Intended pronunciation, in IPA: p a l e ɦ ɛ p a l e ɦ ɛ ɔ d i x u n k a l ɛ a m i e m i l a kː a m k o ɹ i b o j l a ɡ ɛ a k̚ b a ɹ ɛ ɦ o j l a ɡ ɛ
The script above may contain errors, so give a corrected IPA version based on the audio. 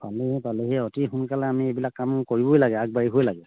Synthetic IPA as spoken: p a l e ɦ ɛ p a l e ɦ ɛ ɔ t i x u n k a l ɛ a m i e b i l a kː a m k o ɹ i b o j l a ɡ ɛ a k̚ b a ɹ i ɦ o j l a ɡ ɛ